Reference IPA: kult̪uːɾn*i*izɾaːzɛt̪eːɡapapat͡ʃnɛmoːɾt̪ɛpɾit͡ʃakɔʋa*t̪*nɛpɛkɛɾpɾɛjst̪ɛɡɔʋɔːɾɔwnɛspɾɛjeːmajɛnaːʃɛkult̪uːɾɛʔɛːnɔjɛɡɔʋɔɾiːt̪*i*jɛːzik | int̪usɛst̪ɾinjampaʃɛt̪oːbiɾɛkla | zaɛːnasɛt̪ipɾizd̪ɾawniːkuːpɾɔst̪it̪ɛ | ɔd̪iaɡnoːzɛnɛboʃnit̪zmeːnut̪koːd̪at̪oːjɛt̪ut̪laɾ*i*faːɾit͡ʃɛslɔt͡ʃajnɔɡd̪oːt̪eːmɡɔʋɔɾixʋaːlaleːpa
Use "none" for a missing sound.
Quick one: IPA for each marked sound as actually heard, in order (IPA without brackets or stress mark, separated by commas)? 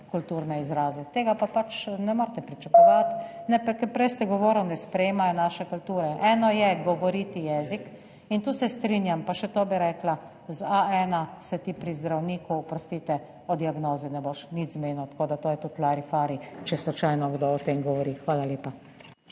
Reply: ɛ, t̪, i, i